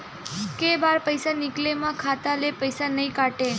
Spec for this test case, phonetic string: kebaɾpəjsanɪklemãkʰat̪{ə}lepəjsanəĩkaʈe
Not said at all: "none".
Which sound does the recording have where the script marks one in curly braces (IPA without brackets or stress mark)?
a